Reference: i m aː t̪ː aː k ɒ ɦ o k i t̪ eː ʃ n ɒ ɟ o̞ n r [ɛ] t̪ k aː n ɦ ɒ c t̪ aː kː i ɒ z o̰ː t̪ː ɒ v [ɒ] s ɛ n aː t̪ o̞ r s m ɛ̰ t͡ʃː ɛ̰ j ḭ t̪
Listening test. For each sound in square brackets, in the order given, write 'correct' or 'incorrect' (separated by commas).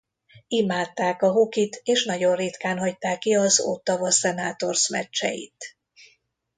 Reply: incorrect, correct